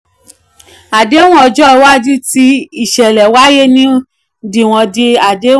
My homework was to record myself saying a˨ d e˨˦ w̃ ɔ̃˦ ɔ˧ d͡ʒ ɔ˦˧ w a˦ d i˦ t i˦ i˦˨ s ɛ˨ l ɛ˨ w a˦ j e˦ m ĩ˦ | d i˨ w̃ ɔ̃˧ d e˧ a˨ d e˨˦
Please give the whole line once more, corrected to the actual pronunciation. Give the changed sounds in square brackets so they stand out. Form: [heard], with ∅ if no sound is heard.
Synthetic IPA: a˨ d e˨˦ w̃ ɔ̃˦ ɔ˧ d͡ʒ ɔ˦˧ w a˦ [d͡ʒ] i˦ t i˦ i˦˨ [ʃ] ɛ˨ l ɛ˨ w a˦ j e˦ [n] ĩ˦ | d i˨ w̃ ɔ̃˧ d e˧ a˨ d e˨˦